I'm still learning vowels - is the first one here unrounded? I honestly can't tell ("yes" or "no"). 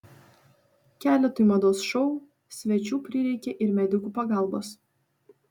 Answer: yes